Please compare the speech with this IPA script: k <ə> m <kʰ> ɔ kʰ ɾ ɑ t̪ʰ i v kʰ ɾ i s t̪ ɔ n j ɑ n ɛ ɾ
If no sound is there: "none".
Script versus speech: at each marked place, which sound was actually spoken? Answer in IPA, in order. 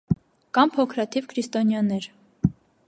ɑ, pʰ

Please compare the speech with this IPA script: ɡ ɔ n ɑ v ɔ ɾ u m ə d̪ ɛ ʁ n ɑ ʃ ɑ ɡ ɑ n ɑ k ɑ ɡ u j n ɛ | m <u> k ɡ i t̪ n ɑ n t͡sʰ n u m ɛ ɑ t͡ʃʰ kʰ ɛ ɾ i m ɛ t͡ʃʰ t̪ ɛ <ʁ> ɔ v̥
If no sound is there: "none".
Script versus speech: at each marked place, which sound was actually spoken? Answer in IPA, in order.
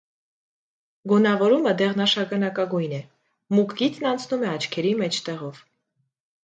u, ʁ

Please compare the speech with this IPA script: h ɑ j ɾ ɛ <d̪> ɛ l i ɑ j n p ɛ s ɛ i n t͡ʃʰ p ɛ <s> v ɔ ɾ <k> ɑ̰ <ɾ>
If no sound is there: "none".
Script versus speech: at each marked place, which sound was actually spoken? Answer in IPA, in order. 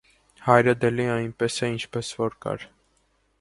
d̪, s, k, ɾ

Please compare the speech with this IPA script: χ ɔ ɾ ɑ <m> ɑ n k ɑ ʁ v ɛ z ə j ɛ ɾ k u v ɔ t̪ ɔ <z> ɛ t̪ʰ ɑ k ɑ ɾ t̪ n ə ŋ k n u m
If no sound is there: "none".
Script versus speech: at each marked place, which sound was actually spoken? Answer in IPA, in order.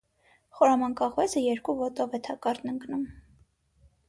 m, v

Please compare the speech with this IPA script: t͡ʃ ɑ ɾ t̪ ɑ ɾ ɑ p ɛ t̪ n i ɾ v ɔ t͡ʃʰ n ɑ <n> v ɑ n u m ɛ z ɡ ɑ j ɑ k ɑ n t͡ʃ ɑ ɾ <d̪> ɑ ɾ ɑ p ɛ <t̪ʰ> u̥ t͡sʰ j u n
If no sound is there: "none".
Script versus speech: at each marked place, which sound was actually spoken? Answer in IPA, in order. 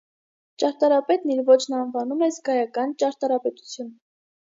n, t̪, t̪

